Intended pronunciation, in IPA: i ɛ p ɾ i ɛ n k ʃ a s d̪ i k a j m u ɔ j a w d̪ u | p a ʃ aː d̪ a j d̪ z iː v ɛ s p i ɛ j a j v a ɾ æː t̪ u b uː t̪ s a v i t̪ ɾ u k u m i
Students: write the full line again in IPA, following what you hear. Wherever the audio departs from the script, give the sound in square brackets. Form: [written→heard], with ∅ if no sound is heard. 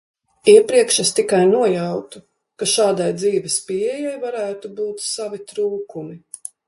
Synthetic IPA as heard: i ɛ p ɾ i ɛ [n→∅] k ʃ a s [d̪→t̪] i k a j [m→n] u ɔ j a w [d̪→t̪] u | [p→k] a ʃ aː d̪ a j d̪ z iː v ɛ s p i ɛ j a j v a ɾ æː t̪ u b uː t̪ s a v i t̪ ɾ [u→uː] k u m i